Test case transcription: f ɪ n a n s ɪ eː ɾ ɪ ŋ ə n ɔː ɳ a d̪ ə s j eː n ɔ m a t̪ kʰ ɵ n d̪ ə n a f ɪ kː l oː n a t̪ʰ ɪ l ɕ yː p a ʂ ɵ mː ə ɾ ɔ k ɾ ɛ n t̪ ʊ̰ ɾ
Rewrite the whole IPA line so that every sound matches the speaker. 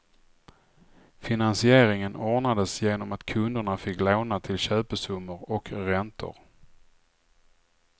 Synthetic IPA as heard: f ɪ n a n s ɪ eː ɾ ɪ ŋ ə n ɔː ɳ a d̪ ə s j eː n ɔ m a t̪ kʰ ɵ n d̪ ə ɳ a f ɪ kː l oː n a t̪ʰ ɪ l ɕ øː p ə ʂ ɵ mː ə ɾ ɔ k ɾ ɛ n t̪ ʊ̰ ɾ